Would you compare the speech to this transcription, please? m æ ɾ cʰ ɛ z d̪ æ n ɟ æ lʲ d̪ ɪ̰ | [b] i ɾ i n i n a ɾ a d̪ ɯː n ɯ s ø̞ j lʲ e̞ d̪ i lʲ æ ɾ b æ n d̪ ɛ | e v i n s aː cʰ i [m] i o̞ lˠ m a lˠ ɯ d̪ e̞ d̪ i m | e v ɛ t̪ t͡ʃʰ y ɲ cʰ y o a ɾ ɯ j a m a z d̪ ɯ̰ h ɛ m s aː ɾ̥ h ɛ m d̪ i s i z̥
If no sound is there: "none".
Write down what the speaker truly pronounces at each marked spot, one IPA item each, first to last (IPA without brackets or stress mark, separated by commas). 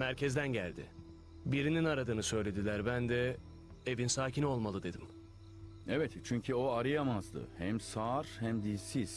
b, n